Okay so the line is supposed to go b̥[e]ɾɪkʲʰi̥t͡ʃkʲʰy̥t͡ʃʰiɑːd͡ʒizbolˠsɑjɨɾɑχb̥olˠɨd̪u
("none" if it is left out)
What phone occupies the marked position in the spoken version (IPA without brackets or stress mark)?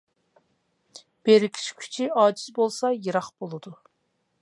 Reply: e